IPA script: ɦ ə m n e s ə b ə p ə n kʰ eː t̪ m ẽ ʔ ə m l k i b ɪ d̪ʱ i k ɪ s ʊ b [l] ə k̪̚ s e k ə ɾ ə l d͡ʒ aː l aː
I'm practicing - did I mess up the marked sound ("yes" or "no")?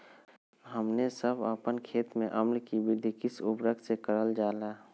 yes